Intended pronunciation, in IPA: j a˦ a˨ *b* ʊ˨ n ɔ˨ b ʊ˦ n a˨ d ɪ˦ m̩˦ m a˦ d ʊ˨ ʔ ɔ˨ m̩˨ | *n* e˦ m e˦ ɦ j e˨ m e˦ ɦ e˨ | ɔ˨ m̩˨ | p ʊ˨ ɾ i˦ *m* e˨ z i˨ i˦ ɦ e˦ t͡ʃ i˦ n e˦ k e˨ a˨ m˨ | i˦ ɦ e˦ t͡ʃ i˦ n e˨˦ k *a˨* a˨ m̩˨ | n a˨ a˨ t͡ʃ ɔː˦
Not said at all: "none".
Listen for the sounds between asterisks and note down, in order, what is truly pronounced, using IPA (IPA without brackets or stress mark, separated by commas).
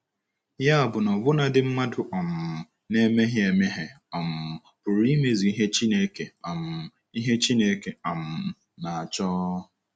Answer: b, n, m, e˨